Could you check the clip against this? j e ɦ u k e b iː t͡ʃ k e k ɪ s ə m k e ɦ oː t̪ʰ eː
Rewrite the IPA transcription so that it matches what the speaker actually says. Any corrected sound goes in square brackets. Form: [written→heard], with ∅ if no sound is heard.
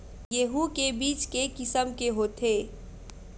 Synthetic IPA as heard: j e ɦ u k e b iː t͡ʃ k e k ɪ s ə m k e ɦ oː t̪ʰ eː